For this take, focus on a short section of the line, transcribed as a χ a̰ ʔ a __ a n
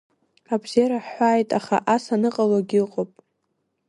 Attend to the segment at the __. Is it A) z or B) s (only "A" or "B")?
B